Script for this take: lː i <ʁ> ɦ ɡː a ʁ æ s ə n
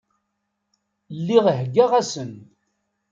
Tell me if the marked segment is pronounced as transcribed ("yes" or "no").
yes